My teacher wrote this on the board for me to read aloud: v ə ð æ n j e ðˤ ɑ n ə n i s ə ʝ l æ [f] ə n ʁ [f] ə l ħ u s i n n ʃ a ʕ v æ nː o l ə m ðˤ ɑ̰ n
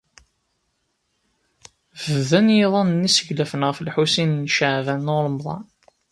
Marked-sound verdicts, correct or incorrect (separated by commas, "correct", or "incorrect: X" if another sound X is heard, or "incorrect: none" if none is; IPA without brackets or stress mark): correct, correct